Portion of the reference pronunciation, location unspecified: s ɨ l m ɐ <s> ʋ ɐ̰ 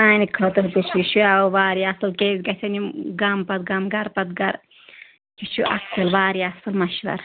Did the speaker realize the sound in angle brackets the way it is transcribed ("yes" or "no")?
no